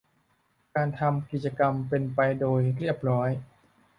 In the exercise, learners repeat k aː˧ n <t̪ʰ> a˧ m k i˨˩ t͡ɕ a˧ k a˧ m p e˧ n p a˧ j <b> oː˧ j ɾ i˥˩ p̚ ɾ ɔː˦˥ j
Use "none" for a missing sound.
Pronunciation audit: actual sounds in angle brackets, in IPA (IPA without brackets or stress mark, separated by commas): t̪ʰ, d